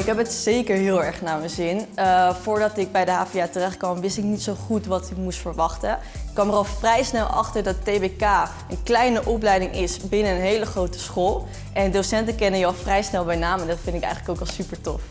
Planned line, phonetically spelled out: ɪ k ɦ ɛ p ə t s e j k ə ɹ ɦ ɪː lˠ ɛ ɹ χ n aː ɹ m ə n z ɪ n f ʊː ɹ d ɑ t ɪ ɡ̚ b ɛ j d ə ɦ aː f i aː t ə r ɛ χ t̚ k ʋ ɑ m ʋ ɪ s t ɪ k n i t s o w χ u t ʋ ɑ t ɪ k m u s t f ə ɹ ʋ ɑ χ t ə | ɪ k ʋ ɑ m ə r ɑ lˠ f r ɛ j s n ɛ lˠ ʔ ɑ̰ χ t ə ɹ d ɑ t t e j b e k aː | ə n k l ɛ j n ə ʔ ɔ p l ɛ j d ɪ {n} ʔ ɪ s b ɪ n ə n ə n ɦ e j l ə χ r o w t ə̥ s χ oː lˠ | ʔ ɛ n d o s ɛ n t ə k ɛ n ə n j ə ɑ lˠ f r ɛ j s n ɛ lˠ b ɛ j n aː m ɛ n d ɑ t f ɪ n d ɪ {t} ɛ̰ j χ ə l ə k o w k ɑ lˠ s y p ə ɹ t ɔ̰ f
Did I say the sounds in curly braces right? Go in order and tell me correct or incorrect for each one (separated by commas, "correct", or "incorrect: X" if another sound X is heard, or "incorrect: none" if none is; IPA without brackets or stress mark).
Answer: incorrect: ŋ, incorrect: k